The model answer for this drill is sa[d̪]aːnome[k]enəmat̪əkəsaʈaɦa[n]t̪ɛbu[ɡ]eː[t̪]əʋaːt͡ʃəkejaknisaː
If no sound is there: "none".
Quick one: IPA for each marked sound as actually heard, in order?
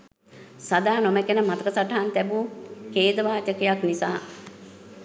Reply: d̪, k, n, k, d̪

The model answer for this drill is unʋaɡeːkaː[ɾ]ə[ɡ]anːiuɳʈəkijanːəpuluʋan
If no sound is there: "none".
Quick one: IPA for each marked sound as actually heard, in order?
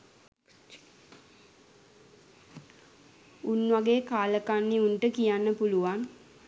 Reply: l, k

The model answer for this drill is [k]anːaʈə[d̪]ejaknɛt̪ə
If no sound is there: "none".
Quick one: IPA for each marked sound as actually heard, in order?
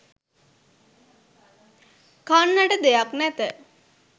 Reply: k, d̪

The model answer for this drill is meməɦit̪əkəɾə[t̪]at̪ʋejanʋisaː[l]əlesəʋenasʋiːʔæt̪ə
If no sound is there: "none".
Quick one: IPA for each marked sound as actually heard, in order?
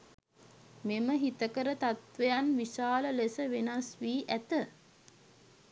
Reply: t̪, l

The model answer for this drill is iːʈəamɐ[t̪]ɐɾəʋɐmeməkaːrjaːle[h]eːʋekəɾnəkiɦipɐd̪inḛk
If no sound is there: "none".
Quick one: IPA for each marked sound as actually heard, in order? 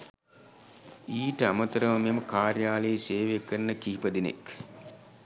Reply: t̪, s

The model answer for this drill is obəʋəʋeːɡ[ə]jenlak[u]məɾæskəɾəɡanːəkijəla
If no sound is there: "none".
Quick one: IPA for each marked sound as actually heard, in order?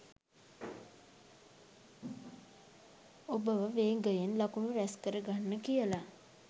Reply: ə, u

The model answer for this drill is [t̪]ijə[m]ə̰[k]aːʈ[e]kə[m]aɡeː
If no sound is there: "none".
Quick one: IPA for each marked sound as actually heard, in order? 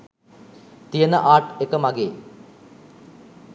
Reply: t̪, n, ʔ, e, m

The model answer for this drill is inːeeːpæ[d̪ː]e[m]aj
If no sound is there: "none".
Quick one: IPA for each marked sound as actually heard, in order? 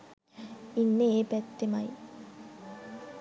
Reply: t̪ː, m

